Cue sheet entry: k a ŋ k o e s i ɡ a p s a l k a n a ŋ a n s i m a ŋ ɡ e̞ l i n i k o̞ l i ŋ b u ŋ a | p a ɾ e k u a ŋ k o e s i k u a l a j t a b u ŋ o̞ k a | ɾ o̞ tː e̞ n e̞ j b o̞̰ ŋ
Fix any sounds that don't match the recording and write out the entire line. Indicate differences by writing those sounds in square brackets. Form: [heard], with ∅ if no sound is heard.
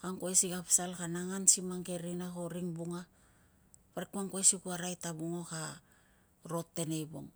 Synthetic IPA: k a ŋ k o e s i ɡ a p s a l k a n a ŋ a n s i m a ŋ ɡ e̞ [ɾ] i n [a] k o̞ [ɾ] i ŋ b u ŋ a | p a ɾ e k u a ŋ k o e s i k u a [ɾ] a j t a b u ŋ o̞ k a | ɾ o̞ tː e̞ n e̞ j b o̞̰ ŋ